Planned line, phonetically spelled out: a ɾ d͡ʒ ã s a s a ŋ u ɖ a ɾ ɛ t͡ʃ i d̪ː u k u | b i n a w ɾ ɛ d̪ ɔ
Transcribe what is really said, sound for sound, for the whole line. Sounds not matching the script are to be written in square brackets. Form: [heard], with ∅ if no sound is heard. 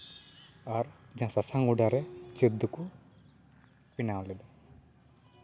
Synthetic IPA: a ɾ d͡ʒ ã s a s a ŋ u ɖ a ɾ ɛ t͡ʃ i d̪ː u k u | [p] i n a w [l] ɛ d̪ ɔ